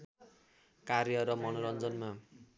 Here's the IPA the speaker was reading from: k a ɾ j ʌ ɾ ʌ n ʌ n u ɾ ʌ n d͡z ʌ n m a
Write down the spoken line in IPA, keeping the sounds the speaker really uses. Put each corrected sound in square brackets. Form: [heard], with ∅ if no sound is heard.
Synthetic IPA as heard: k a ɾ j ʌ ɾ ʌ [m] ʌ n [o] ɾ ʌ n d͡z ʌ n m a